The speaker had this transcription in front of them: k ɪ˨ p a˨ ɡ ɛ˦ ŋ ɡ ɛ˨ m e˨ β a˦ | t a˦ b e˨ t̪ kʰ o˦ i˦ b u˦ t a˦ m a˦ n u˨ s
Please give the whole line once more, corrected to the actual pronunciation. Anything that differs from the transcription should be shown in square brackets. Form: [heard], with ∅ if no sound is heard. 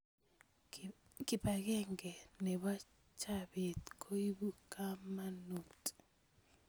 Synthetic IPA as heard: k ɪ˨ p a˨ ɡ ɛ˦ ŋ ɡ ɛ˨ [n] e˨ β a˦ | [t͡ʃ] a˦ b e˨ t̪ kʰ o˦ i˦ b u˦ [k] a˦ m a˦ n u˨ [t]